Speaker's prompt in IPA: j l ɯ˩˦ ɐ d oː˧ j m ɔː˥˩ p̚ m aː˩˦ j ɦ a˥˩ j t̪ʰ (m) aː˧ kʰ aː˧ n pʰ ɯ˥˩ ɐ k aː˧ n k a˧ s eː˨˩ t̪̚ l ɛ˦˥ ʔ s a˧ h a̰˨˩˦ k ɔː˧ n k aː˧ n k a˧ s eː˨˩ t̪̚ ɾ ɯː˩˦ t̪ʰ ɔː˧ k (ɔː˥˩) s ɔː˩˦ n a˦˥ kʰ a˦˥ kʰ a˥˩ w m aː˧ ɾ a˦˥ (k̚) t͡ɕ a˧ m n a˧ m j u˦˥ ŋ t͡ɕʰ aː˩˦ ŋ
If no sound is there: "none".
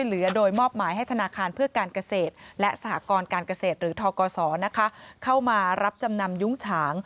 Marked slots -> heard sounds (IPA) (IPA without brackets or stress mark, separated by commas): n, ɔː˧, p̚